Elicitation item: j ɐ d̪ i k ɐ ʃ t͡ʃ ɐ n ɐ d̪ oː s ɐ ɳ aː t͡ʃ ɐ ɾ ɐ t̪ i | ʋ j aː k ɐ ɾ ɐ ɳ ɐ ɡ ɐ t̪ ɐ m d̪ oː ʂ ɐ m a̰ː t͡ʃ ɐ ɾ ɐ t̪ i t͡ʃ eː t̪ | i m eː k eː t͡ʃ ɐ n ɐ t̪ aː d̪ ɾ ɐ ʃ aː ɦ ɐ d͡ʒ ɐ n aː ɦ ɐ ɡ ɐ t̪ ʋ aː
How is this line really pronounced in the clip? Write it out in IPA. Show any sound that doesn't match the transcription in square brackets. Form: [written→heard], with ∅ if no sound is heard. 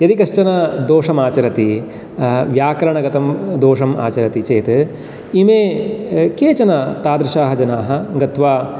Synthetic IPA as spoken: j ɐ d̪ i k ɐ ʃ t͡ʃ ɐ n ɐ d̪ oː [s→ʂ] ɐ [ɳ→m] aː t͡ʃ ɐ ɾ ɐ t̪ i | ʋ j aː k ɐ ɾ ɐ ɳ ɐ ɡ ɐ t̪ ɐ m d̪ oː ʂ ɐ m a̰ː t͡ʃ ɐ ɾ ɐ t̪ i t͡ʃ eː t̪ | i m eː k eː t͡ʃ ɐ n ɐ t̪ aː d̪ ɾ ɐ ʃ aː ɦ ɐ d͡ʒ ɐ n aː ɦ ɐ ɡ ɐ t̪ ʋ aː